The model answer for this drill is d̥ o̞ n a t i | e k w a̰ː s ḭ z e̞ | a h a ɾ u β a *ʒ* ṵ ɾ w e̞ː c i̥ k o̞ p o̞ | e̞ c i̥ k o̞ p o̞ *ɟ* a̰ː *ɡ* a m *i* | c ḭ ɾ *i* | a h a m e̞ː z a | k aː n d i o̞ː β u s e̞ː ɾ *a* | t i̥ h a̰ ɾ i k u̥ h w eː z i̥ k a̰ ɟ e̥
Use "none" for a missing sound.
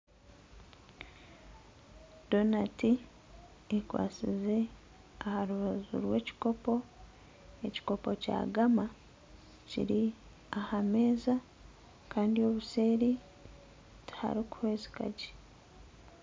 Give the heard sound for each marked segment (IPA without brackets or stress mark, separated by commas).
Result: z, c, ɡ, a, i, i